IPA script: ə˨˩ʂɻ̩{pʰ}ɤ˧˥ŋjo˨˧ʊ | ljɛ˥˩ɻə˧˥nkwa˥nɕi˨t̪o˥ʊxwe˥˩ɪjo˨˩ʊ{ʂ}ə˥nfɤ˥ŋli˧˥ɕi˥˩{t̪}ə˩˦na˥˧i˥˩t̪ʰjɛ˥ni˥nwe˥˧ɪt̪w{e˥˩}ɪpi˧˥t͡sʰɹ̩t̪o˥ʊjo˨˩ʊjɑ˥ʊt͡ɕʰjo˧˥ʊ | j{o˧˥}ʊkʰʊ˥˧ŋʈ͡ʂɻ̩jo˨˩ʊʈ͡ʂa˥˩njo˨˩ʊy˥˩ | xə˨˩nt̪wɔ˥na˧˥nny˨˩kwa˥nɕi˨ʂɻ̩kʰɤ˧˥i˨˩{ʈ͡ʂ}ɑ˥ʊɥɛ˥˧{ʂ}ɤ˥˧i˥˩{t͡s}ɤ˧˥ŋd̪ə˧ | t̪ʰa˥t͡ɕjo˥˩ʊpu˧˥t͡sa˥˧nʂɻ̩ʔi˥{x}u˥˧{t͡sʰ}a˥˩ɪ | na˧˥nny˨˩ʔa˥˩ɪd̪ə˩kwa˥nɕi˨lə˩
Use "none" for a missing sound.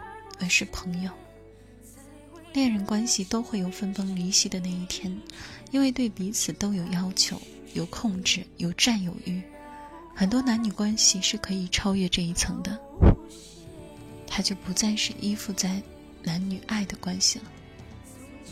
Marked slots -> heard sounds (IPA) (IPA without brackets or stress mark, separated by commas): pʰ, f, d̪, e˥˩, o˨˩, ʈ͡ʂʰ, ʈ͡ʂ, t͡sʰ, f, t͡s